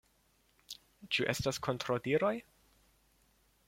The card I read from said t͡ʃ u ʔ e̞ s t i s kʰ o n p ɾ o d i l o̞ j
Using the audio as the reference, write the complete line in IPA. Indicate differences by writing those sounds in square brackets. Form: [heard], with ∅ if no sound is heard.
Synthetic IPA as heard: t͡ʃ u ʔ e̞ s t [a] s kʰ o n [t] ɾ o d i [ɾ] o̞ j